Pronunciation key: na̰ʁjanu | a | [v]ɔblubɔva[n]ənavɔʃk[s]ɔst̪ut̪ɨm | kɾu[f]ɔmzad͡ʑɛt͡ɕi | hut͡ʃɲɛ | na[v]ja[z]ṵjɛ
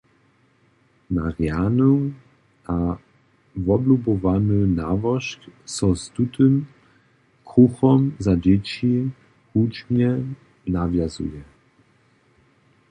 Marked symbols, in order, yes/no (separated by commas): yes, yes, yes, no, yes, yes